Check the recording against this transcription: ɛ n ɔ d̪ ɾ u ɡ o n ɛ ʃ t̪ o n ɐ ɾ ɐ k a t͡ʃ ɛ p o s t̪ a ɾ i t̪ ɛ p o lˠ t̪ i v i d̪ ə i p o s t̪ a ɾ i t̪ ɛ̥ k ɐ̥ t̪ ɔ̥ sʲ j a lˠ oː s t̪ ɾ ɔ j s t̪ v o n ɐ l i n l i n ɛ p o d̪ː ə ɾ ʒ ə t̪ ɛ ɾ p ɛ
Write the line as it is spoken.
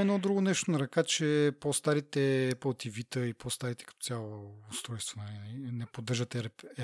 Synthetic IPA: ɛ n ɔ d̪ ɾ u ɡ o n ɛ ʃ t̪ o n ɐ ɾ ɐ k a t͡ʃ ɛ p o s t̪ a ɾ i t̪ ɛ p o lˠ t̪ i v i t̪ ə i p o s t̪ a ɾ i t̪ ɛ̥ k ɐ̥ t̪ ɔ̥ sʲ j a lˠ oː s t̪ ɾ ɔ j s t̪ v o n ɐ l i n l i n ɛ p o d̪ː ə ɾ ʒ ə t̪ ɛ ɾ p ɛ